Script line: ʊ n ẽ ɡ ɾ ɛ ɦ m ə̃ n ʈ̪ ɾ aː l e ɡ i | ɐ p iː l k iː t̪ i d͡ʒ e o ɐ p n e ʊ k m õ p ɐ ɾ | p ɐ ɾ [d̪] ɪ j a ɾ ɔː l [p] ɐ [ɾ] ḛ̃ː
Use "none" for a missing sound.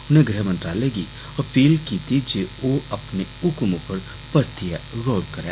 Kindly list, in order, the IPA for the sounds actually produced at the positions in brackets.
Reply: t̪, k, ɾ

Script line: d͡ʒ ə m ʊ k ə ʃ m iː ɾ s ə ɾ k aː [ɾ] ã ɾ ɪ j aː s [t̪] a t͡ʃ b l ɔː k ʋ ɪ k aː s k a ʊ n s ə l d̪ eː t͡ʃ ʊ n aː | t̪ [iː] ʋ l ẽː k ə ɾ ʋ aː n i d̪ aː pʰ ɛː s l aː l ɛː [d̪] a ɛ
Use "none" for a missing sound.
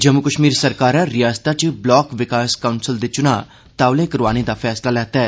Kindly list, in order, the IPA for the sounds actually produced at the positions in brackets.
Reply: ɾ, t̪, aː, t̪

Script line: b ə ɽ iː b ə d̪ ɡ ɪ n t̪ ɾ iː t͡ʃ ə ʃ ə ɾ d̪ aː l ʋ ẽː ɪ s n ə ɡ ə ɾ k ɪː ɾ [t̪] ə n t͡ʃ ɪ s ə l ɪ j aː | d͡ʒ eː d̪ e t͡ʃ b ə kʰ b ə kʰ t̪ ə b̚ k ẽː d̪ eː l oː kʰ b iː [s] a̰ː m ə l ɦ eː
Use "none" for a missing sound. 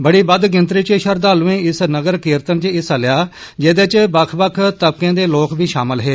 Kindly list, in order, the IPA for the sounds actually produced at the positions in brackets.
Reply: t̪, ʃ

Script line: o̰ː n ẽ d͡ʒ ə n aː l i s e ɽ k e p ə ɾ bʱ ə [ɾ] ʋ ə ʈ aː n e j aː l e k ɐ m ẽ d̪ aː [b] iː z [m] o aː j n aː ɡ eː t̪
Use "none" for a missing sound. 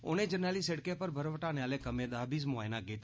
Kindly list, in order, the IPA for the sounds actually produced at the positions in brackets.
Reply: ɾ, b, m

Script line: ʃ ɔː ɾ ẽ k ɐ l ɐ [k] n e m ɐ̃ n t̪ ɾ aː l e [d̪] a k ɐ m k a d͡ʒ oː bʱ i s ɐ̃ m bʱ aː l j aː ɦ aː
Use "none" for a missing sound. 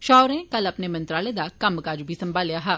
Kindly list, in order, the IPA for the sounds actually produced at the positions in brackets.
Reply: p, d̪

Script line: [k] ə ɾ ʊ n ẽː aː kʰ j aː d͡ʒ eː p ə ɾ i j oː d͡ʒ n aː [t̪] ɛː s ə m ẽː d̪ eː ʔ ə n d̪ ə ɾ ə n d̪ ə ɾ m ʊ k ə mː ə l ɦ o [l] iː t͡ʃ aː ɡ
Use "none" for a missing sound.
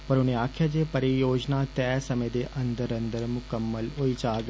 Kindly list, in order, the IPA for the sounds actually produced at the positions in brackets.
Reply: p, t̪, none

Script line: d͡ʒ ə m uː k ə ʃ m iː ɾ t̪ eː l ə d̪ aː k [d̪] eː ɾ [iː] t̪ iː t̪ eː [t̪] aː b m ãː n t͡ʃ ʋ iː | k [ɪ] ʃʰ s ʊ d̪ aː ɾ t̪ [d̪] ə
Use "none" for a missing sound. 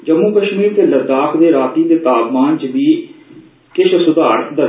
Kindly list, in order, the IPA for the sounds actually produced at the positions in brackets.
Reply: d̪, aː, t̪, ɪ, d̪

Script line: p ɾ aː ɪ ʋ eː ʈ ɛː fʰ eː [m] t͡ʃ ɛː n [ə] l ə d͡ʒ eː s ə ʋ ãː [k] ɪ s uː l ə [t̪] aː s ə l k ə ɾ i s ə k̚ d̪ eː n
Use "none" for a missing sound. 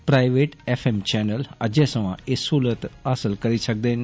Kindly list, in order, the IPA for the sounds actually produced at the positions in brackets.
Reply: m, ə, none, t̪

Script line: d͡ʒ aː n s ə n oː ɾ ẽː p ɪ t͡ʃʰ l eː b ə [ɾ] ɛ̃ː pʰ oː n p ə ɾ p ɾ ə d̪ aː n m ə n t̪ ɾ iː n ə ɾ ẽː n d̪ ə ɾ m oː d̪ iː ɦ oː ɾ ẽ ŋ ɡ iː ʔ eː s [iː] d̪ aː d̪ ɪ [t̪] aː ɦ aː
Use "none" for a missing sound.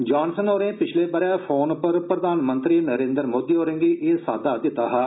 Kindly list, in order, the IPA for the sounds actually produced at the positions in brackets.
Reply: ɾ, aː, t̪

